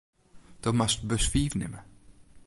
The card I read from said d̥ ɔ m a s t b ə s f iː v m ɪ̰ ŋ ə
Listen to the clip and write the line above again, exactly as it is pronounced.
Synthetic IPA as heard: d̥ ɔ m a s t b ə s f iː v n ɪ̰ m ə